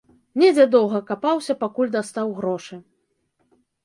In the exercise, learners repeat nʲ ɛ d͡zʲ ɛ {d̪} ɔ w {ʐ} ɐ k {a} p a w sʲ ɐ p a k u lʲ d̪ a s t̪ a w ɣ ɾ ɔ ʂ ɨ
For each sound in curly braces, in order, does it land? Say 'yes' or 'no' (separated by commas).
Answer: yes, no, yes